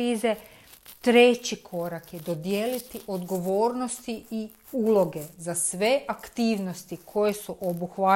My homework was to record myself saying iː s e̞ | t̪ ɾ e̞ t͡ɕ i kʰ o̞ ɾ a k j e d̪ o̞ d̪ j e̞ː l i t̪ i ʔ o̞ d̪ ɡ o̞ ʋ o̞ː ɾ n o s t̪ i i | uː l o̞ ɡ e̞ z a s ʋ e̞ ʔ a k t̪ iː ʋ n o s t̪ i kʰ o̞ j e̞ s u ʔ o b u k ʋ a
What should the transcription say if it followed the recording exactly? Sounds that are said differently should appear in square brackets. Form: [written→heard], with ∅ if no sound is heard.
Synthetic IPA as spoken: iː [s→z] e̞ | t̪ ɾ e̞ t͡ɕ i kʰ o̞ ɾ a k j e d̪ o̞ d̪ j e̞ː l i t̪ i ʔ o̞ d̪ ɡ o̞ ʋ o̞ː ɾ n o s t̪ i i | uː l o̞ ɡ e̞ z a s ʋ e̞ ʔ a k t̪ iː ʋ n o s t̪ i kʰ o̞ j e̞ s u ʔ o b u [k→x] ʋ a